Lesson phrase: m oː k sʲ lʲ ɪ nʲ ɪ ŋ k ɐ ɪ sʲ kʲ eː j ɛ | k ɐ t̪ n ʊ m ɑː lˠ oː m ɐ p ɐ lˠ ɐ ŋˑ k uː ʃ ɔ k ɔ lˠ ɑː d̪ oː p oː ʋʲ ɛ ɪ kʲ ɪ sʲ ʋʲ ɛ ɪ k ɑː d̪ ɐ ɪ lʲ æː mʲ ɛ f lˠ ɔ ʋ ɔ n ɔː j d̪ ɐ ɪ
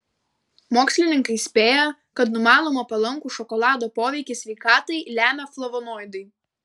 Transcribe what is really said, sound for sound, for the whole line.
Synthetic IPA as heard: m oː k sʲ lʲ ɪ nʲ ɪ ŋ k ɐ ɪ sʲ pʲ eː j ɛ | k ɐ t̪ n ʊ m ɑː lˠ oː m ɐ p ɐ lˠ ɐ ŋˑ k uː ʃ ɔ k ɔ lˠ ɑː d̪ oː p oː ʋʲ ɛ ɪ kʲ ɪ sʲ ʋʲ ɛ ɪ k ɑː t̪ ɐ ɪ lʲ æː mʲ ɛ f lˠ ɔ ʋ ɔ n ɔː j d̪ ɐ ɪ

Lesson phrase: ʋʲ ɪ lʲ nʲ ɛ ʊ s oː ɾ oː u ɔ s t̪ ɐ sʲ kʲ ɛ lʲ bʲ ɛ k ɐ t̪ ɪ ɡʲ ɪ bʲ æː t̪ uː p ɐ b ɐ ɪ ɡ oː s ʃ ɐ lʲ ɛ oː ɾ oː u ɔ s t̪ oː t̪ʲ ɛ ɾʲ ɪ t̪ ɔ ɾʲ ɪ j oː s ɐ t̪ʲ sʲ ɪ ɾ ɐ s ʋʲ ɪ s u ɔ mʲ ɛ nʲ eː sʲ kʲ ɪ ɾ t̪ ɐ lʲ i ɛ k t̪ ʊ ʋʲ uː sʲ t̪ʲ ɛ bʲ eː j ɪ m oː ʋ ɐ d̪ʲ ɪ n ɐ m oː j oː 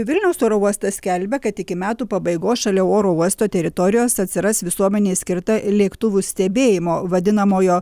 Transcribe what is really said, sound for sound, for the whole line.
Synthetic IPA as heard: ʋʲ ɪ lʲ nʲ ɛ ʊ s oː ɾ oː u ɔ s t̪ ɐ sʲ kʲ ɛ lʲ bʲ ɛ k ɐ t̪ ɪ kʲ ɪ mʲ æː t̪ uː p ɐ b ɐ ɪ ɡ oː s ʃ ɐ lʲ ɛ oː ɾ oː u ɔ s t̪ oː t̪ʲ ɛ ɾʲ ɪ t̪ ɔ ɾʲ ɪ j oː s ɐ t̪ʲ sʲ ɪ ɾ ɐ s ʋʲ ɪ s u ɔ mʲ ɛ nʲ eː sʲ kʲ ɪ ɾ t̪ ɐ lʲ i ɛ k t̪ ʊ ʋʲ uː sʲ t̪ʲ ɛ bʲ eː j ɪ m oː ʋ ɐ d̪ʲ ɪ n ɐ m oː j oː

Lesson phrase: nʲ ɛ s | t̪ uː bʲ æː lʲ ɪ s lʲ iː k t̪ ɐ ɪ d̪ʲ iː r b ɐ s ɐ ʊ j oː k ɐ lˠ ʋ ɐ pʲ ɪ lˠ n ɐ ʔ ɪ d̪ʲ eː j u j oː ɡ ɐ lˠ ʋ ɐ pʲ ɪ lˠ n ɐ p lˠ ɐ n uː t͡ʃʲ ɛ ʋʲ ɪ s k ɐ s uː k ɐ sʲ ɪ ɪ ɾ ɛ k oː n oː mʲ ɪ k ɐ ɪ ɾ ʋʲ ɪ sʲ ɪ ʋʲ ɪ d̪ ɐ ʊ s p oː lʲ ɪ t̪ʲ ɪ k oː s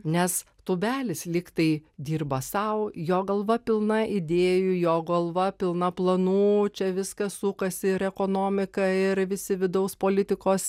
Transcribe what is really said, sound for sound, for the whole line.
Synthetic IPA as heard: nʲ ɛ s | t̪ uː bʲ æː lʲ ɪ s lʲ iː k t̪ ɐ ɪ d̪ʲ iː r b ɐ s ɐ ʊ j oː ɡ ɐ lˠ ʋ ɐ pʲ ɪ lˠ n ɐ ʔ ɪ d̪ʲ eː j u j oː ɡ ɐ lˠ ʋ ɐ pʲ ɪ lˠ n ɐ p lˠ ɐ n uː t͡ʃʲ ɛ ʋʲ ɪ s k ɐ s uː k ɐ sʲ ɪ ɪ ɾ ɛ k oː n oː mʲ ɪ k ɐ ɪ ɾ ʋʲ ɪ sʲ ɪ ʋʲ ɪ d̪ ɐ ʊ s p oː lʲ ɪ t̪ʲ ɪ k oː s

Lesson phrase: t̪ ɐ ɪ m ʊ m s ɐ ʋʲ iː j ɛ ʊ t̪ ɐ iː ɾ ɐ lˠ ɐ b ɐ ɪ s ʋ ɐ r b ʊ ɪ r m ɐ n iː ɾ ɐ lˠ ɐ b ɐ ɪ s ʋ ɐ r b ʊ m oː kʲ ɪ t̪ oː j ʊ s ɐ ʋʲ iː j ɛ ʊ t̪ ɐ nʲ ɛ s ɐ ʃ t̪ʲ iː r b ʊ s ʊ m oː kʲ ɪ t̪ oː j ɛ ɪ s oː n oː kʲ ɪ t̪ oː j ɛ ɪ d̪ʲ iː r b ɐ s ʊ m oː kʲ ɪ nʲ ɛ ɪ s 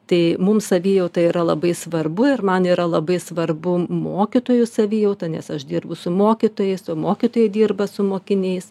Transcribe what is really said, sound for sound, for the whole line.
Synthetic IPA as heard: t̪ ɐ ɪ m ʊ m s ɐ ʋʲ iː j ɛ ʊ t̪ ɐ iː ɾ ɐ lˠ ɐ b ɐ ɪ s ʋ ɐ r b ʊ ɪ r m ɐ n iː ɾ ɐ lˠ ɐ b ɐ ɪ s ʋ ɐ r b ʊ m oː kʲ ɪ t̪ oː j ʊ s ɐ ʋʲ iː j ɛ ʊ t̪ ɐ nʲ ɛ s ɐ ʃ d̪ʲ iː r b ʊ s ʊ m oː kʲ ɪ t̪ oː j ɛ ɪ s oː m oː kʲ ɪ t̪ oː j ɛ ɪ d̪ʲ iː r b ɐ s ʊ m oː kʲ ɪ nʲ ɛ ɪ s

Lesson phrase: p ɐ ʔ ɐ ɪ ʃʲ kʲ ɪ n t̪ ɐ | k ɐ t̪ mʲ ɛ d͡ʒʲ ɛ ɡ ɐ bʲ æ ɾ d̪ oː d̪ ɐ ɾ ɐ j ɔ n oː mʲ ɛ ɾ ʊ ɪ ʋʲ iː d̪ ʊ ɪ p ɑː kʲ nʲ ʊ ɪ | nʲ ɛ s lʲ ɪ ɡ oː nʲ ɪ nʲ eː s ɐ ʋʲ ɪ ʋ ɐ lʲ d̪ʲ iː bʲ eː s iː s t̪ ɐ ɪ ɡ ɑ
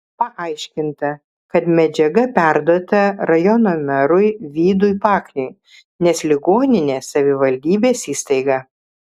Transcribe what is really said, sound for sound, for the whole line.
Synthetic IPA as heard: p ɐ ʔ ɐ ɪ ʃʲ kʲ ɪ n t̪ ɐ | k ɐ t̪ mʲ ɛ d͡ʒʲ ɛ ɡ ɐ pʲ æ ɾ d̪ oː t̪ ɐ ɾ ɐ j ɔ n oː mʲ ɛ ɾ ʊ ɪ ʋʲ iː d̪ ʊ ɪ p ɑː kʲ nʲ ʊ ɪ | nʲ ɛ s lʲ ɪ ɡ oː nʲ ɪ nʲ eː s ɐ ʋʲ ɪ ʋ ɐ lʲ d̪ʲ iː bʲ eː s iː s t̪ ɐ ɪ ɡ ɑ

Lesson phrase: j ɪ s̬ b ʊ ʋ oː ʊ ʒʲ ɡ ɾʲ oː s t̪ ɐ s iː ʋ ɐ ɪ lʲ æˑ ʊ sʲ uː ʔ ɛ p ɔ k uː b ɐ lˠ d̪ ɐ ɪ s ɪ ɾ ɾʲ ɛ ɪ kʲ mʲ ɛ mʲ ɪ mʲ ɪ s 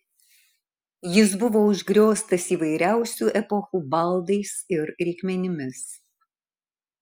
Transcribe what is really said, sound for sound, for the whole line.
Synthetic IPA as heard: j ɪ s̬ b ʊ ʋ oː ʊ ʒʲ ɡ ɾʲ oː s t̪ ɐ s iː ʋ ɐ ɪ ɾʲ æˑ ʊ sʲ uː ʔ ɛ p ɔ x uː b ɐ lˠ d̪ ɐ ɪ s ɪ ɾ ɾʲ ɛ ɪ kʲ mʲ ɛ nʲ ɪ mʲ ɪ s

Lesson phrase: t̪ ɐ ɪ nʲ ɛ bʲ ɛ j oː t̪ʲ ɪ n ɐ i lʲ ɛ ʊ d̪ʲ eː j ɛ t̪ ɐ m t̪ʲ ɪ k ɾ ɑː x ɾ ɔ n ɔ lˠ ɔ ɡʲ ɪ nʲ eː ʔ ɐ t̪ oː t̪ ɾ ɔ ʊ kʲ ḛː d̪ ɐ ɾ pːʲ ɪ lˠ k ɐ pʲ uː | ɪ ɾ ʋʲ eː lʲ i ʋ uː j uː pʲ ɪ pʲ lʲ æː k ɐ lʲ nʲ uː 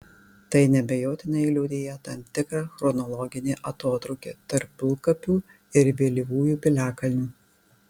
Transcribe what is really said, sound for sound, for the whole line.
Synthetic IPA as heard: t̪ ɐ ɪ nʲ ɛ bʲ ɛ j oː t̪ʲ ɪ n ɐ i lʲ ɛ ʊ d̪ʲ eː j ɛ t̪ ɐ m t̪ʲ ɪ k ɾ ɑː x ɾ ɔ n ɔ lˠ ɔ ɡʲ ɪ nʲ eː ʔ ɐ t̪ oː t̪ ɾ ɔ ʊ kʲ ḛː t̪ ɐ ɾ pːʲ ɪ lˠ k ɐ pʲ uː | ɪ ɾ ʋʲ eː lʲ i ʋ uː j uː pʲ ɪ lʲ æː k ɐ lʲ nʲ uː

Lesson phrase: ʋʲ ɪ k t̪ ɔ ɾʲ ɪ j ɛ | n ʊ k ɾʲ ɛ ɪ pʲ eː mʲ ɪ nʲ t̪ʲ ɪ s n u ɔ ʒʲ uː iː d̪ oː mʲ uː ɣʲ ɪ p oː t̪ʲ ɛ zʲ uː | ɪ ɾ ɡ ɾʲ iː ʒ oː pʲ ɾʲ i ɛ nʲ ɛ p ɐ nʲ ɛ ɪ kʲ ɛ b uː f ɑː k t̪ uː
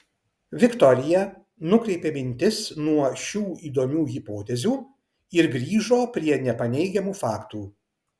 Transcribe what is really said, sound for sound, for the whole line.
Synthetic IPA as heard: ʋʲ ɪ k t̪ ɔ ɾʲ ɪ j ɛ | n ʊ k ɾʲ ɛ ɪ pʲ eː mʲ ɪ nʲ t̪ʲ ɪ s n u ɔ ʃʲ uː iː d̪ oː mʲ uː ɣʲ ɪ p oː t̪ʲ ɛ zʲ uː | ɪ ɾ ɡ ɾʲ iː ʒ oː pʲ ɾʲ i ɛ nʲ ɛ p ɐ nʲ ɛ ɪ ɡʲ ɛ m uː f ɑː k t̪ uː

